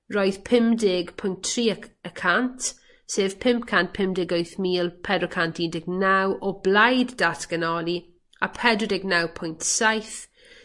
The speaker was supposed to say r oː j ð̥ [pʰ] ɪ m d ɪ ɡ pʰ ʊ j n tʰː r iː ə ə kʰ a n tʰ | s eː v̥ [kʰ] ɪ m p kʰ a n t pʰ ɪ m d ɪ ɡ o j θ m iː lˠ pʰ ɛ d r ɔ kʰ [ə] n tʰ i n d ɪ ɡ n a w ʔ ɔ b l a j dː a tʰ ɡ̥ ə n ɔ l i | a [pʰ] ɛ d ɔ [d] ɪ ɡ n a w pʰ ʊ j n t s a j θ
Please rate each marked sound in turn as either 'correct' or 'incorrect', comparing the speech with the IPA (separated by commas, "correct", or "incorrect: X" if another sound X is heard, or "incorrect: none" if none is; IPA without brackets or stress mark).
correct, incorrect: pʰ, incorrect: a, correct, correct